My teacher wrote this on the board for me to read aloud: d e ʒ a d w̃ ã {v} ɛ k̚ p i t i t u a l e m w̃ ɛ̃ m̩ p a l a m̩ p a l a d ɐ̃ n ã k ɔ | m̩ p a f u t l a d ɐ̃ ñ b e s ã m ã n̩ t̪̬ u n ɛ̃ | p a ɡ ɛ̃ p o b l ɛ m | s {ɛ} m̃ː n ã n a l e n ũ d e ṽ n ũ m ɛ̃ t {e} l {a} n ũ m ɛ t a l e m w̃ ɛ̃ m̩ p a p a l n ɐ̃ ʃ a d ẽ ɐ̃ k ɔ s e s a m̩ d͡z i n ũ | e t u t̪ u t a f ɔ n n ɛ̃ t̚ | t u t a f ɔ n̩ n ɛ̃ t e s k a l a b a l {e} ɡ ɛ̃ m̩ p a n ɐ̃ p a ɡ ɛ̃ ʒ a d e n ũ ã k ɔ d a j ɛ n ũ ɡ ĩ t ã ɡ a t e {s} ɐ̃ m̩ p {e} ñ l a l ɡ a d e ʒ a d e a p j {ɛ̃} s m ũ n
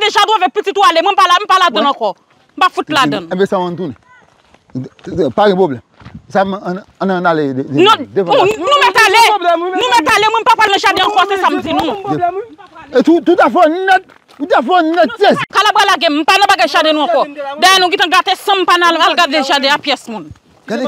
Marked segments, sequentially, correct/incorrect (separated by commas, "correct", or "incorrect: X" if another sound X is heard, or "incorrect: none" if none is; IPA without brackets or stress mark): correct, incorrect: a, incorrect: a, incorrect: e, incorrect: a, correct, incorrect: a, incorrect: ɛ